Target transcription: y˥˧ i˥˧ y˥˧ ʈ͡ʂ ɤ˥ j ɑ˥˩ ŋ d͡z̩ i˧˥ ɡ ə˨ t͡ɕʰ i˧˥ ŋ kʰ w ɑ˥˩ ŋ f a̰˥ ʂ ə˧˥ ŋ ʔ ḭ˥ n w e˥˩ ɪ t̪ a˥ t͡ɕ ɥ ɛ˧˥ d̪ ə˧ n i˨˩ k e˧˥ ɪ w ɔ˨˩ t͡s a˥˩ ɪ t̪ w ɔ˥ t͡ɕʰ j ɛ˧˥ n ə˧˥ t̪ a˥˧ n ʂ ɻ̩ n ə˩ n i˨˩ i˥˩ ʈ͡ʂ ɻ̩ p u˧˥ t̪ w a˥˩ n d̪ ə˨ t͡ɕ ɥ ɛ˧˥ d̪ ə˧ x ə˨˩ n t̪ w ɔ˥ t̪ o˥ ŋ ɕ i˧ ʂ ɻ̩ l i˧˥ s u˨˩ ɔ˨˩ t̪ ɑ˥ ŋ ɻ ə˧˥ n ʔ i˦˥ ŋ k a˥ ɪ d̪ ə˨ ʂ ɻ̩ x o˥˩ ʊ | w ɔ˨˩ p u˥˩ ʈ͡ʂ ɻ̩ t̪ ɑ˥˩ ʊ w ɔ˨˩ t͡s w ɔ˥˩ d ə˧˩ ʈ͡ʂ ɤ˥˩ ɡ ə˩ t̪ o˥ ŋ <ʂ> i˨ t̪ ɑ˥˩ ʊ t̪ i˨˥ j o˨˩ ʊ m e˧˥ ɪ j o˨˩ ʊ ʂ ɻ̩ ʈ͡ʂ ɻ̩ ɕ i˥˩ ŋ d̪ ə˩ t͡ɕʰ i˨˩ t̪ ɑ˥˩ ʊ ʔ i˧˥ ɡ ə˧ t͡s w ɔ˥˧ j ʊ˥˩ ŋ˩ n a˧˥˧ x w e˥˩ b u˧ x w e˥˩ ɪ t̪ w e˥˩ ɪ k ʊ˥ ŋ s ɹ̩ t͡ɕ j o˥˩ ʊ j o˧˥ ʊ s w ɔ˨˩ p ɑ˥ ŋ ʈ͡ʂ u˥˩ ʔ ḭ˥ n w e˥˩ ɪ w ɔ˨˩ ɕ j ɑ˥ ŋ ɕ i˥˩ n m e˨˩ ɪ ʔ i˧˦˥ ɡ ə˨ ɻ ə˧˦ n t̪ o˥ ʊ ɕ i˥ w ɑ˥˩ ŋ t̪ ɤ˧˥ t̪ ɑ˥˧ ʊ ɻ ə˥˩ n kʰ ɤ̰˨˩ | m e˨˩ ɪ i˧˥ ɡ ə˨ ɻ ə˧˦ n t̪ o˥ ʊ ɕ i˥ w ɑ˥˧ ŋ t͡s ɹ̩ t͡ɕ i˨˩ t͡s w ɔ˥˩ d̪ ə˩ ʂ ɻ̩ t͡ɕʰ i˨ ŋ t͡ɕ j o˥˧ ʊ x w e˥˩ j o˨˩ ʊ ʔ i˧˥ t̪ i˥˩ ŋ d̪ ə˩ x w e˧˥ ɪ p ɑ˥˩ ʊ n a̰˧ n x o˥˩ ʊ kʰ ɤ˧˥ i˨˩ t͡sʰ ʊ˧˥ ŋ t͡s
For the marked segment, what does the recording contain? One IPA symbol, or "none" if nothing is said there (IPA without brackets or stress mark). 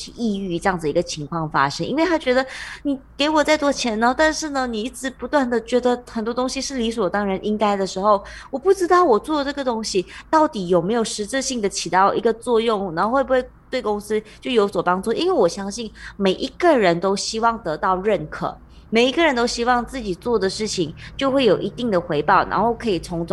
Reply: ɕ